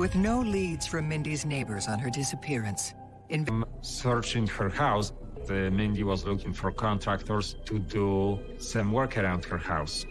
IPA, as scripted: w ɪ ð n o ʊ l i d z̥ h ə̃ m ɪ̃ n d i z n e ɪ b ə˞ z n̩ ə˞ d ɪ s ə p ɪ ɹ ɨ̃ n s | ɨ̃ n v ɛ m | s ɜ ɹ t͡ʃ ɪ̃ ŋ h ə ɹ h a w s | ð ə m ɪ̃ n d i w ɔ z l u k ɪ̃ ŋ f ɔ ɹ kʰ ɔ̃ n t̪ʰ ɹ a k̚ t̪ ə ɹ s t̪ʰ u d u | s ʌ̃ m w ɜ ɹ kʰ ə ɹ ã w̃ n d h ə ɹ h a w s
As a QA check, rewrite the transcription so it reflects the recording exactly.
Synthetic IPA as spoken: w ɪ ð n o ʊ l i d z̥ f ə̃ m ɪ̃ n d i z n e ɪ b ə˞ z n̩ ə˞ d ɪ s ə pʰ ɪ ɹ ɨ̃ n s | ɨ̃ n v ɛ m | s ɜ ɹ t͡ʃ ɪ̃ ŋ h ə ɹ h a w s | ð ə m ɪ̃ n d i w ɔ z l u k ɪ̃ ŋ f ɔ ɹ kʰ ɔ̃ n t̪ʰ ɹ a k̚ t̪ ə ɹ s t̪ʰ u d u | s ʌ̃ m w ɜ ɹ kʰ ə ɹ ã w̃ n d h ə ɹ h a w s